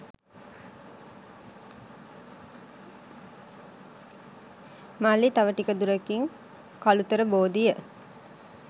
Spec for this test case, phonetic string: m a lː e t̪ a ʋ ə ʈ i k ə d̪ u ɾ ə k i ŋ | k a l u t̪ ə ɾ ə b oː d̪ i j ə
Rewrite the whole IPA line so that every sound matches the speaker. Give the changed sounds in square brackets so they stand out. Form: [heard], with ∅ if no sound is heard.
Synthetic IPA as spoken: m a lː [i] t̪ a ʋ ə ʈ i k ə d̪ u ɾ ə k i ŋ | k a l u t̪ ə ɾ ə b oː d̪ i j ə